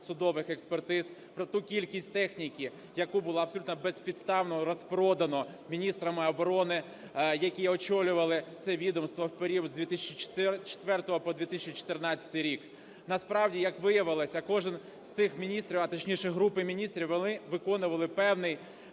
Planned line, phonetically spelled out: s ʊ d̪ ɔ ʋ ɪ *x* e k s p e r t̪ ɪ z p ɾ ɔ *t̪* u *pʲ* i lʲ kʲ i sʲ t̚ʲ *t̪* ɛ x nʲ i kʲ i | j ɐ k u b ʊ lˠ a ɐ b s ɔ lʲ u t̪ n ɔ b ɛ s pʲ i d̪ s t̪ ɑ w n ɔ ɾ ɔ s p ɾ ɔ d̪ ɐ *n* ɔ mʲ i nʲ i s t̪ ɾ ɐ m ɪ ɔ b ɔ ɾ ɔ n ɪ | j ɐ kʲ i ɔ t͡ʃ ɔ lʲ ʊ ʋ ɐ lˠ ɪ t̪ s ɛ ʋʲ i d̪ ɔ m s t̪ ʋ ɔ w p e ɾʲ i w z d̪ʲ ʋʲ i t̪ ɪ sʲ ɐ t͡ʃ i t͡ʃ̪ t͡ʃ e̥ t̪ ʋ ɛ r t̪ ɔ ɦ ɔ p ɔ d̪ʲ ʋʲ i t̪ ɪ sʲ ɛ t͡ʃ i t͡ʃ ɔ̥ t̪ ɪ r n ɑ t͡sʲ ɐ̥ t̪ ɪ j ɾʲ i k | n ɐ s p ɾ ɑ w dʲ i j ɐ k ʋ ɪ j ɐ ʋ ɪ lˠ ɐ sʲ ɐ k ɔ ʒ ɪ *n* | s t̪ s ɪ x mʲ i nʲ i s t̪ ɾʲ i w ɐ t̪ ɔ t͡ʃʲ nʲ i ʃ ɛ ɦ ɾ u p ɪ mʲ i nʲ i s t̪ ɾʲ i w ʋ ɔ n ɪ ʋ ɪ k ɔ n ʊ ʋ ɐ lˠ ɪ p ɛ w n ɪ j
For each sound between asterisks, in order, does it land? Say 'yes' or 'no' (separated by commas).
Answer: yes, yes, no, yes, yes, yes